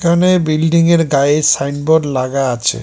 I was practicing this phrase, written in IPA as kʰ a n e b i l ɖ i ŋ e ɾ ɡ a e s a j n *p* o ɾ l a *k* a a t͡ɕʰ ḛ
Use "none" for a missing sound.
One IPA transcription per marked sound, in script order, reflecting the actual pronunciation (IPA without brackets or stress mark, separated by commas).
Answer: b, ɡ